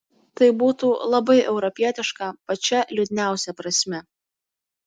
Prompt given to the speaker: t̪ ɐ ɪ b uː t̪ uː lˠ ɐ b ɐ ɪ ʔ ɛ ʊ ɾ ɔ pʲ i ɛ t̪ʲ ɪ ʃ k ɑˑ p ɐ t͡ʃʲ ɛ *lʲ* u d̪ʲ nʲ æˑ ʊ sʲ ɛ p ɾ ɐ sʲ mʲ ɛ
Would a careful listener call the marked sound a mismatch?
no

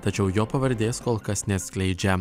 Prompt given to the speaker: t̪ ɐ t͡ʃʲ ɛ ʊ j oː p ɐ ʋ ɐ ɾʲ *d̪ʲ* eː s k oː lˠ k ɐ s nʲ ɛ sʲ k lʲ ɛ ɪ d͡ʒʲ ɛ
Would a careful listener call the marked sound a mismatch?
no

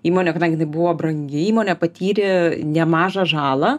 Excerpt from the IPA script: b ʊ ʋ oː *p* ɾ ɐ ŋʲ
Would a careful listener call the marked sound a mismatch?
yes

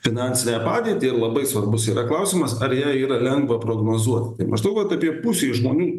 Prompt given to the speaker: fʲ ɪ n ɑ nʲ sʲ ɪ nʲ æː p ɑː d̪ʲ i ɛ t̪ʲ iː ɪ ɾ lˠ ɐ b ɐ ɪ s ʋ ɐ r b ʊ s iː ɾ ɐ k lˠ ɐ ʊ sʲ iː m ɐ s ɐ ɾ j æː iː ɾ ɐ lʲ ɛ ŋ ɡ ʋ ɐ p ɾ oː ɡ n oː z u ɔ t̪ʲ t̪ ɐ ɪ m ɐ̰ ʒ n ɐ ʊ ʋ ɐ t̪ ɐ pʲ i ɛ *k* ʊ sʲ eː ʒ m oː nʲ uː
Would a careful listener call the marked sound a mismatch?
yes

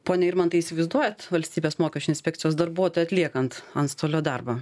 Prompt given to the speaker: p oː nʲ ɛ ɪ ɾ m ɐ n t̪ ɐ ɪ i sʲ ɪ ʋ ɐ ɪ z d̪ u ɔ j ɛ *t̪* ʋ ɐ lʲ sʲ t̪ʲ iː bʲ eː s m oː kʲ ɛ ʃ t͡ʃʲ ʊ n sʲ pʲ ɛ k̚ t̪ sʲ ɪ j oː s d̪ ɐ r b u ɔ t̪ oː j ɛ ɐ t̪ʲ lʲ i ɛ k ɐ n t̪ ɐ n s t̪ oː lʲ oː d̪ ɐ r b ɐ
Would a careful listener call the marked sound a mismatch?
no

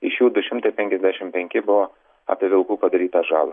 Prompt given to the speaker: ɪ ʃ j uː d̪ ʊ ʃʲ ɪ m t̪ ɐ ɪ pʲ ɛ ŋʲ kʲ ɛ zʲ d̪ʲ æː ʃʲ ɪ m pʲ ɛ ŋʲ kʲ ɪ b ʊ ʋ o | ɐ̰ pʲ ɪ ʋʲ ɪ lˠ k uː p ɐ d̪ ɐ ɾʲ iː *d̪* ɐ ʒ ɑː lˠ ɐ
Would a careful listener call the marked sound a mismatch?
yes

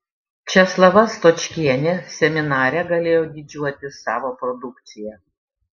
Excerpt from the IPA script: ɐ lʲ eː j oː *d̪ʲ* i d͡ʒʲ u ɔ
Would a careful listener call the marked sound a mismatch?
no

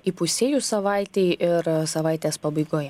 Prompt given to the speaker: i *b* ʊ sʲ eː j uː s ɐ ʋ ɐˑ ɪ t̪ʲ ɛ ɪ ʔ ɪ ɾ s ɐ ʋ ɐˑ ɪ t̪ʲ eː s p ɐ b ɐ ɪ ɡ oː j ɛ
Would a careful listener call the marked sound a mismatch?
yes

